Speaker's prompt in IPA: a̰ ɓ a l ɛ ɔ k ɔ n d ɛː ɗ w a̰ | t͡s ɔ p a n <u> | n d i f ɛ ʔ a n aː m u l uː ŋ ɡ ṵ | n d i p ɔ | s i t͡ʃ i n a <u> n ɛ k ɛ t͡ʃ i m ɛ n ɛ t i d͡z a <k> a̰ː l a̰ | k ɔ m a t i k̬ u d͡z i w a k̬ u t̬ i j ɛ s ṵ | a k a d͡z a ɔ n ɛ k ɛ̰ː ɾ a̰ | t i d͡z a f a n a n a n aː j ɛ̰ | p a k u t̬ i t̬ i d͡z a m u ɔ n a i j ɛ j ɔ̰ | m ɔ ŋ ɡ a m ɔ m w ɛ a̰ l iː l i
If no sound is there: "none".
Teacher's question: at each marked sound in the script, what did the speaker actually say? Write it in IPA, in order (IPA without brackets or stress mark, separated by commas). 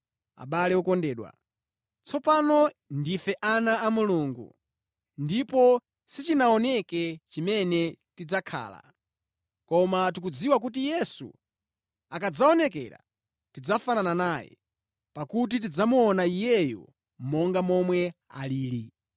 ɔ, ɔ, kʰ